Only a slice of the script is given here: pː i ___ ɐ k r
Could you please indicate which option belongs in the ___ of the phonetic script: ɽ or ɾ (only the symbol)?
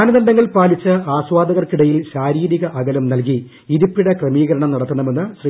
ɽ